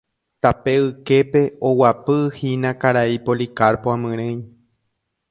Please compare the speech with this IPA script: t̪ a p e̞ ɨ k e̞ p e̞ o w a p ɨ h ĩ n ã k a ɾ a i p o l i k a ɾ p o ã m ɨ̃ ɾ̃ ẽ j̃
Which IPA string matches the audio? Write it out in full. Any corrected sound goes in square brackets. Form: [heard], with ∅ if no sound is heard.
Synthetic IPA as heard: t̪ a p e̞ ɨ k e̞ p e̞ o w a p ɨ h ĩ n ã k a ɾ a i p o l i k a ɾ p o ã m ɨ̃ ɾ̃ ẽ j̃